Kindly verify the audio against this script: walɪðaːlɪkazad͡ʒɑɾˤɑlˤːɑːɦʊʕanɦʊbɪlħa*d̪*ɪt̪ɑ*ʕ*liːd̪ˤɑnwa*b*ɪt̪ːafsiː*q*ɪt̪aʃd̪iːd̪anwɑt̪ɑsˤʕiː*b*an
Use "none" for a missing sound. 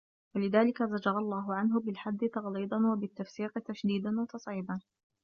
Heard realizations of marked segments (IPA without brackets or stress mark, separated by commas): d̪ː, ɣ, b, q, b